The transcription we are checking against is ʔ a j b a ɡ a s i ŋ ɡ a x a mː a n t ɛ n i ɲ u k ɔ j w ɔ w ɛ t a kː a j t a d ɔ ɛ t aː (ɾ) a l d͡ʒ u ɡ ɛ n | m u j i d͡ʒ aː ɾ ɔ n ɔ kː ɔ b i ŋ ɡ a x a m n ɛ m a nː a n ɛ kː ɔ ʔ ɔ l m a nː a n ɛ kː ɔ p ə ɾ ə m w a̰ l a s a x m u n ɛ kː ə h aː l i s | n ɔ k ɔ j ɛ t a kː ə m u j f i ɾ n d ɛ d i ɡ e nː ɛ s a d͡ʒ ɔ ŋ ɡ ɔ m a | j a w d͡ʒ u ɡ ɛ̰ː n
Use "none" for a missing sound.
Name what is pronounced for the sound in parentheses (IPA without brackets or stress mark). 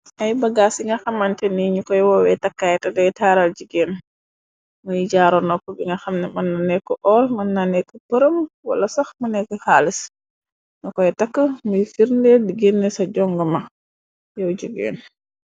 ɾ